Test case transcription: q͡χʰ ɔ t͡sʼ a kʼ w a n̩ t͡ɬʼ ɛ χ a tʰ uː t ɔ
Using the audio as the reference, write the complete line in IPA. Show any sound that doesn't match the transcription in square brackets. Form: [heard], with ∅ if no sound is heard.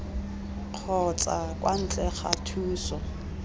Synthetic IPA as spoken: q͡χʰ ɔ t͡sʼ a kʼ w a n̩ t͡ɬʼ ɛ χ a tʰ uː [s] ɔ